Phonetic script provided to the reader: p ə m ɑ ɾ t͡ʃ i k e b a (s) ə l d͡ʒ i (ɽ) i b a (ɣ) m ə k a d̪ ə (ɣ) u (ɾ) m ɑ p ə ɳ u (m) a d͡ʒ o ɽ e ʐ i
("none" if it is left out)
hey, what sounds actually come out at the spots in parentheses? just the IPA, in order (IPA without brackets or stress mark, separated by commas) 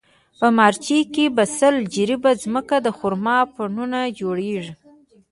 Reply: s, ɾ, z, x, ɾ, n